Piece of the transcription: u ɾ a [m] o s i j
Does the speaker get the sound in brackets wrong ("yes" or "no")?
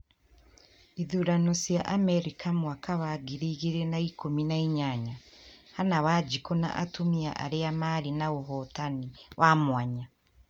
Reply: yes